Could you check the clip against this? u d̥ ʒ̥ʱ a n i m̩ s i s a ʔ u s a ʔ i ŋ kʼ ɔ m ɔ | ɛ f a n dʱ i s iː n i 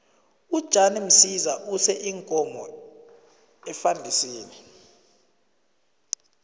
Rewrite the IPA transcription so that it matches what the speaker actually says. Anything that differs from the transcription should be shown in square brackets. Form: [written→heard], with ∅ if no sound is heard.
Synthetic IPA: u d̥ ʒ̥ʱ a n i m̩ s i [s→z] a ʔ u s [a→ɛ] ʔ i ŋ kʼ ɔ m ɔ | ɛ f a n dʱ i s iː n i